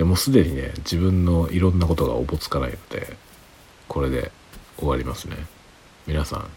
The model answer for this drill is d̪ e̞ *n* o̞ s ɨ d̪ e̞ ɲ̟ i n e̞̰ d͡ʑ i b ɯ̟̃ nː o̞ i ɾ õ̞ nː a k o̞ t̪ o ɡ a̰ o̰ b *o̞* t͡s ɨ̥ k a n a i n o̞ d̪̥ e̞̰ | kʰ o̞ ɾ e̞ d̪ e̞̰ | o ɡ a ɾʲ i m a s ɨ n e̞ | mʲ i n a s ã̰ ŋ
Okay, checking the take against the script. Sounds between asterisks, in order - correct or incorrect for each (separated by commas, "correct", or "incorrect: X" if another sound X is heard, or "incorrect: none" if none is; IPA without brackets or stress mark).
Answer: incorrect: m, correct